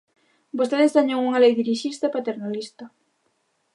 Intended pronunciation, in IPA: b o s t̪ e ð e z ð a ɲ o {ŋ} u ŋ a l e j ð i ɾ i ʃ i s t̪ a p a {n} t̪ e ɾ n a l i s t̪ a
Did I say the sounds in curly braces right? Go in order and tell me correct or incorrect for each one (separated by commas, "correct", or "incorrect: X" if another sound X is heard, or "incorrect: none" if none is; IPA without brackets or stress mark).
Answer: correct, incorrect: none